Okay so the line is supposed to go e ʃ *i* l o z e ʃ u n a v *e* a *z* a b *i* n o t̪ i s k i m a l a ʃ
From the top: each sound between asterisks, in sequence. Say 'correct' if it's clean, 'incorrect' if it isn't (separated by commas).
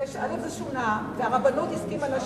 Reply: incorrect, correct, incorrect, incorrect